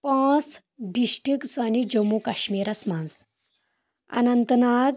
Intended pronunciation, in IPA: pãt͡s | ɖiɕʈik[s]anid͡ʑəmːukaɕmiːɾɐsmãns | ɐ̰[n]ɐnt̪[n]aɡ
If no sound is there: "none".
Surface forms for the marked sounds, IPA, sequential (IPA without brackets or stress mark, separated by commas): s, n, n